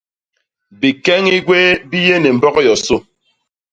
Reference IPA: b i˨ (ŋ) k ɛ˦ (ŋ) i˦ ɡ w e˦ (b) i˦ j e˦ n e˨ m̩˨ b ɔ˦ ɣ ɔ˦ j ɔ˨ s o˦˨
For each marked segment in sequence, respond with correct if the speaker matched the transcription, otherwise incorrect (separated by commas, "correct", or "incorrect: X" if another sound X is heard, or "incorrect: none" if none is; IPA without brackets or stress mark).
incorrect: none, correct, correct